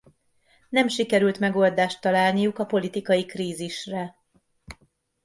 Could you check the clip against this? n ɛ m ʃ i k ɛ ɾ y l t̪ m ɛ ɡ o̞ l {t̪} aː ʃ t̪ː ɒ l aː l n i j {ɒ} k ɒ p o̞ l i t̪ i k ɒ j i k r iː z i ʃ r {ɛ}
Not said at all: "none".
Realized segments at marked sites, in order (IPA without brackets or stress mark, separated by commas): d̪, u, ɛ